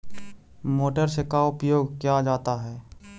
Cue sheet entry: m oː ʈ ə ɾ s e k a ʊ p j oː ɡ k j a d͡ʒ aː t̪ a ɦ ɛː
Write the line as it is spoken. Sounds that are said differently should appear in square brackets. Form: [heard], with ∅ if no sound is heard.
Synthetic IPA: m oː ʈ ə ɾ s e k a ʊ p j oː ɡ k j a d͡ʒ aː t̪ a ɦ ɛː